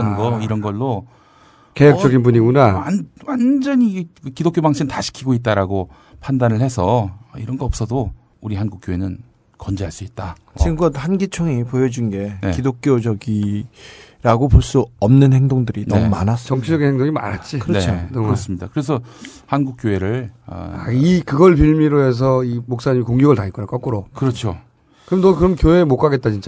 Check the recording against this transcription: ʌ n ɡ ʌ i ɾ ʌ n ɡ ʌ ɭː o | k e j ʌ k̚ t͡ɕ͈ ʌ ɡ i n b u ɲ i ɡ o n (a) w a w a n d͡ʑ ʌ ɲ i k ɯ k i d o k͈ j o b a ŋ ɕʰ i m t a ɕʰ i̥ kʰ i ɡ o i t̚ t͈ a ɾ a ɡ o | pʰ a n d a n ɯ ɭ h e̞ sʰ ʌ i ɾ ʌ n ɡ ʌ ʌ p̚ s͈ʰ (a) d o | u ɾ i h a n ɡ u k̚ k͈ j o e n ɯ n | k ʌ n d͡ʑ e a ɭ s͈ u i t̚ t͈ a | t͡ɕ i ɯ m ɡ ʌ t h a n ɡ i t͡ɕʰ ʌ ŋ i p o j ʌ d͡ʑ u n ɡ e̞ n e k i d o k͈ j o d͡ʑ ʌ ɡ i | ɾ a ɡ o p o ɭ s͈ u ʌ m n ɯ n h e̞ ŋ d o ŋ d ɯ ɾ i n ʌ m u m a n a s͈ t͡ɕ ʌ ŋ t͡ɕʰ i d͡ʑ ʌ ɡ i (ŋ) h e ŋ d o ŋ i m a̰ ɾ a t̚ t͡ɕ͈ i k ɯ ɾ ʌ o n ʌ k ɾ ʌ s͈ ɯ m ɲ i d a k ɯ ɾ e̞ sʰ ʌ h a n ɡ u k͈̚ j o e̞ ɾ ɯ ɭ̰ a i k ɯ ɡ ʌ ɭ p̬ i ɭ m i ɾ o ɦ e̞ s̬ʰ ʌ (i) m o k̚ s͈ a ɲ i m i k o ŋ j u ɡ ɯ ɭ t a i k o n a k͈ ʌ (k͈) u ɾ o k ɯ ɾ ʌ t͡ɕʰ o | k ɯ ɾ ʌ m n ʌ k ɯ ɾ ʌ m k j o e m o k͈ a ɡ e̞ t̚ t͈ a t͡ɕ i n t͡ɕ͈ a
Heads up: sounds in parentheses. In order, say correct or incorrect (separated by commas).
correct, incorrect, incorrect, correct, correct